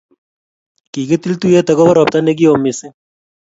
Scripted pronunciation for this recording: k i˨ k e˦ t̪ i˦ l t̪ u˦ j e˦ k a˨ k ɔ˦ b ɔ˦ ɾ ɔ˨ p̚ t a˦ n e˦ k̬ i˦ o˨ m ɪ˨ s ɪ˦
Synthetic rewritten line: k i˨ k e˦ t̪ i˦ l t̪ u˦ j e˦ t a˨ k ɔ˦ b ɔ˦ ɾ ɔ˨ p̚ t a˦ n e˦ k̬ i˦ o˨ m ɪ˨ s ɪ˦